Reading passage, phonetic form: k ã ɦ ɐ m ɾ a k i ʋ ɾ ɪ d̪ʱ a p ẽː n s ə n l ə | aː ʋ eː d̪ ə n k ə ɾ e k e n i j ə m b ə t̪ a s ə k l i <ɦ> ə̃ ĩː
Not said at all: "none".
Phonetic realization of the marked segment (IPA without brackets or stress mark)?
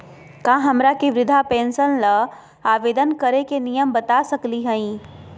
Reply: ɦ